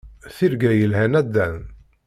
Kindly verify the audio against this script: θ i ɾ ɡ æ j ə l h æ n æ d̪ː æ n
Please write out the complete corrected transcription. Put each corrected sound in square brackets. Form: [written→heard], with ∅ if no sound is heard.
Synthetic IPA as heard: θ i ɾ ɡ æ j ə l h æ n æ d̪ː æ n